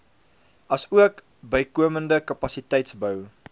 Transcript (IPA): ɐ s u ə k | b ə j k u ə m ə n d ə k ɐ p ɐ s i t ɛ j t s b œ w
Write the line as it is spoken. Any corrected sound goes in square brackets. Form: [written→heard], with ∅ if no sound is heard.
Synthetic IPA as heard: ɐ s u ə k | b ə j k u ə m ə n d ə k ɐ p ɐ s i t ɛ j t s b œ w